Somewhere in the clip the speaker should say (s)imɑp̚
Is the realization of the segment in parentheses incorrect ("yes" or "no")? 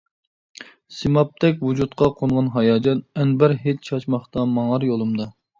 no